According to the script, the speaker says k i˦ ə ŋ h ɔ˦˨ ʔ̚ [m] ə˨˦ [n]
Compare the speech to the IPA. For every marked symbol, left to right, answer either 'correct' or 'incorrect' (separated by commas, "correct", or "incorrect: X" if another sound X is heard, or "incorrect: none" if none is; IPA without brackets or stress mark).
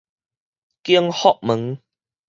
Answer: correct, incorrect: ŋ